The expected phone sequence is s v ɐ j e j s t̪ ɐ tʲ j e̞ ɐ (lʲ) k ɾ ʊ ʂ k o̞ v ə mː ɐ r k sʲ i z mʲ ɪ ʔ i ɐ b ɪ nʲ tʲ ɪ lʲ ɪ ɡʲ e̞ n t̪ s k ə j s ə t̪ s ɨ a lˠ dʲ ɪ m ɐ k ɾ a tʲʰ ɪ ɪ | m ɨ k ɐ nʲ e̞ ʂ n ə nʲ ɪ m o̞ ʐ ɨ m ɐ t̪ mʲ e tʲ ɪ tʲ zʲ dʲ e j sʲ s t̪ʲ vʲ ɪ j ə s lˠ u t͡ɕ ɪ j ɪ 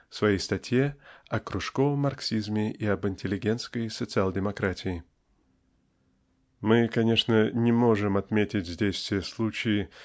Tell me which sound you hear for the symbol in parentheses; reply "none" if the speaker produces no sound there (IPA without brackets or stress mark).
none